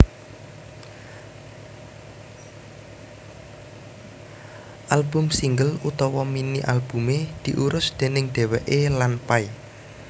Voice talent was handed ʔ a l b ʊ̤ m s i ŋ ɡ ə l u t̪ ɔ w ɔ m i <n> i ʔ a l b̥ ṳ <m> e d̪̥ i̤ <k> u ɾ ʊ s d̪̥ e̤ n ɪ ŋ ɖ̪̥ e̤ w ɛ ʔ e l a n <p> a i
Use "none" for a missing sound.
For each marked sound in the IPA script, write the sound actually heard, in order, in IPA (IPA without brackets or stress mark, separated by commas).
n, m, ʔ, p